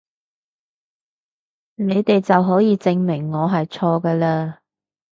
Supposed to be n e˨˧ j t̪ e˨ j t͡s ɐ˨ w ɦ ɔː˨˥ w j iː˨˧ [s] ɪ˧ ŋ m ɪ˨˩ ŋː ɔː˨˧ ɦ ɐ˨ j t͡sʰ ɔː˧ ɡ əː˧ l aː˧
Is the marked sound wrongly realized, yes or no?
yes